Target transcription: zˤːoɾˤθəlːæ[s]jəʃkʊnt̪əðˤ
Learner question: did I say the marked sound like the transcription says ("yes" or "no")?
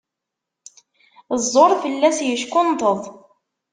yes